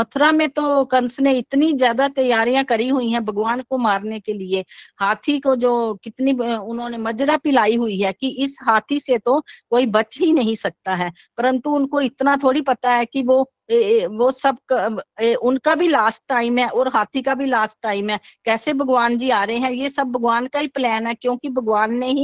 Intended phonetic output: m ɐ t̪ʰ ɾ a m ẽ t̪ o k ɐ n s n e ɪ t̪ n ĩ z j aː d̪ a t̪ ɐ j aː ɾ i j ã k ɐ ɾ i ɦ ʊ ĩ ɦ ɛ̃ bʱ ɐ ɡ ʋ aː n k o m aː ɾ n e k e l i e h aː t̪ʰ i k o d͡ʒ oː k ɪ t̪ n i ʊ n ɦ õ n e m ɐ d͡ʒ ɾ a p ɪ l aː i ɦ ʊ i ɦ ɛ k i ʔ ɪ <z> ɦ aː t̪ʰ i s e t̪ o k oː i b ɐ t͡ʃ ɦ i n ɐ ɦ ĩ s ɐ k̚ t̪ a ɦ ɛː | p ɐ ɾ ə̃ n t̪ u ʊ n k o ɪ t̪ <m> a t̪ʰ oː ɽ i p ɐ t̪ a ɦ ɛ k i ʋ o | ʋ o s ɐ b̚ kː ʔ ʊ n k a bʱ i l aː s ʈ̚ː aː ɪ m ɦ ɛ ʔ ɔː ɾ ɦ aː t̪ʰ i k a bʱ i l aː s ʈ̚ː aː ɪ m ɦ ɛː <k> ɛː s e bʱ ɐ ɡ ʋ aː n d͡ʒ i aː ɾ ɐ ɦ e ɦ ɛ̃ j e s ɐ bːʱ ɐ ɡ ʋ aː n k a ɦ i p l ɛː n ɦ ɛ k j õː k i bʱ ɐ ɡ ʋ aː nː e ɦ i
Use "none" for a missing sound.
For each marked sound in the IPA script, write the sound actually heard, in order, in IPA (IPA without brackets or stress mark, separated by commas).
s, n, k